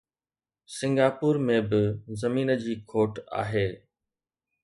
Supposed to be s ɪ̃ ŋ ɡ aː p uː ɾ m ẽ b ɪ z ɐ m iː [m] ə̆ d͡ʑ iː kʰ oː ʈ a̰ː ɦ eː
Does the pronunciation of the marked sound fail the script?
yes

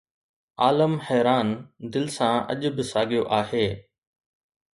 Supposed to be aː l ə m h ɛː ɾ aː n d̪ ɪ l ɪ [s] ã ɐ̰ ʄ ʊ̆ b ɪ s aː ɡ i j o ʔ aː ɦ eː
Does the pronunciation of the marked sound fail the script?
no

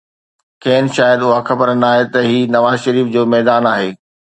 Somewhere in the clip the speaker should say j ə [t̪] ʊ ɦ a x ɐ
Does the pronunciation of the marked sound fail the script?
yes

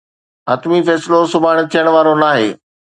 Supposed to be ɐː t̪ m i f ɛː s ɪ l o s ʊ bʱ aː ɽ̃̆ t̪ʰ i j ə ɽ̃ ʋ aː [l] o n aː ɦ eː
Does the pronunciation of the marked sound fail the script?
yes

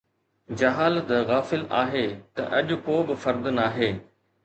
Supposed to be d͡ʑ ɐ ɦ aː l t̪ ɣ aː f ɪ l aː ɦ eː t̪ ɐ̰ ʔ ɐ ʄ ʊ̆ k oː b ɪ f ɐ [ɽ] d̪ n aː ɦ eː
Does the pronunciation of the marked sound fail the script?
yes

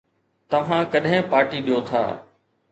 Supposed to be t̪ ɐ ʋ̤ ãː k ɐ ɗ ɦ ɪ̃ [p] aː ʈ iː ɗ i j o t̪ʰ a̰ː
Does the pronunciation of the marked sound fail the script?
no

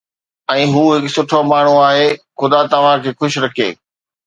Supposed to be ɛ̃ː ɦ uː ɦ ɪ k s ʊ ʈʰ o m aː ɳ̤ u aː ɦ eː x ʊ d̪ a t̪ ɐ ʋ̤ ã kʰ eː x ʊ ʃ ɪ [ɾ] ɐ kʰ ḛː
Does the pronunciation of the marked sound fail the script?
no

